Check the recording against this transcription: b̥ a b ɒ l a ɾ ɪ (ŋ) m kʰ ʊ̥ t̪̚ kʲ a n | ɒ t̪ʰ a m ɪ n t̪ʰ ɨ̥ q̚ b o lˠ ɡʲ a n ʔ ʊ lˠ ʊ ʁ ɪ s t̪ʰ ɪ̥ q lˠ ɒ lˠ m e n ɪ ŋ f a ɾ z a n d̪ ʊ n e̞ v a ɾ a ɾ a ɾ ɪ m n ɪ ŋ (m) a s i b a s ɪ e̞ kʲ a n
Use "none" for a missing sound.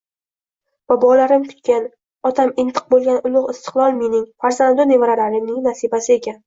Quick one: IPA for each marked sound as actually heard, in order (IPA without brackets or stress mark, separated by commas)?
none, n